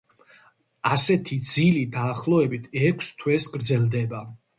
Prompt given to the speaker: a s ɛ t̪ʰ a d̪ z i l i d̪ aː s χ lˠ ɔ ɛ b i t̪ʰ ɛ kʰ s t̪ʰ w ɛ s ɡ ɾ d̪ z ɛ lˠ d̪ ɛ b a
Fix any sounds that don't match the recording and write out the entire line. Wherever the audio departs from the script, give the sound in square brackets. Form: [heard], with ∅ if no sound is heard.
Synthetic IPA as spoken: a s ɛ t̪ʰ [i] d̪ z i l i d̪ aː [∅] χ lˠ ɔ ɛ b i t̪ʰ ɛ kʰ s t̪ʰ w ɛ s ɡ ɾ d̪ z ɛ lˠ d̪ ɛ b a